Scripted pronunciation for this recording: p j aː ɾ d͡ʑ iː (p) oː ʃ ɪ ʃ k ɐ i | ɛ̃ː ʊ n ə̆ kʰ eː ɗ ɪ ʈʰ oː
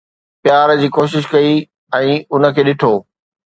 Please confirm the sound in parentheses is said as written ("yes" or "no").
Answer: no